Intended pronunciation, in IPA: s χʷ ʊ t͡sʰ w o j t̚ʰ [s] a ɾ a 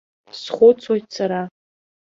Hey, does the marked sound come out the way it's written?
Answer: yes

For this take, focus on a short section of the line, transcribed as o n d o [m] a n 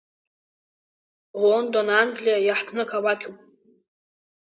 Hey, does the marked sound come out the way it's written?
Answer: no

